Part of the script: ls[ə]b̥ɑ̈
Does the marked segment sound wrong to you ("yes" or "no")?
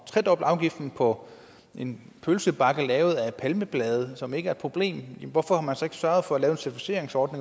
no